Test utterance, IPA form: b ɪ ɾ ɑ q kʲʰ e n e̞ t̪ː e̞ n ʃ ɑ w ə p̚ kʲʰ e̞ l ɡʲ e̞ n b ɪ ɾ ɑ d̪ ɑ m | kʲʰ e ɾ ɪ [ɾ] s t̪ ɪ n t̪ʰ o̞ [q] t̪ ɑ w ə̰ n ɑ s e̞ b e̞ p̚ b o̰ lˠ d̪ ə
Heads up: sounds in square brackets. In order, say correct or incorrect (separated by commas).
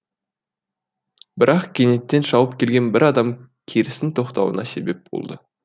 incorrect, correct